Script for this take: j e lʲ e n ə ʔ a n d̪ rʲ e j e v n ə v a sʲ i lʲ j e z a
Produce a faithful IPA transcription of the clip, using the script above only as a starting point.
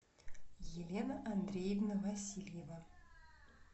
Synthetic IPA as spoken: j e lʲ e n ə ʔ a n d̪ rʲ e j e v n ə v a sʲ i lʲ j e v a